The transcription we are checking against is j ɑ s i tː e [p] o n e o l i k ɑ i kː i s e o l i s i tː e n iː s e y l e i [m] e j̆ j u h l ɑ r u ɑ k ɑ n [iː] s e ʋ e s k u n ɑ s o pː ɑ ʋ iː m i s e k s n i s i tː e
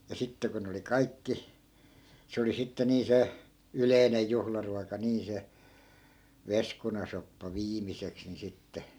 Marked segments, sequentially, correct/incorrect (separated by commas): incorrect, incorrect, correct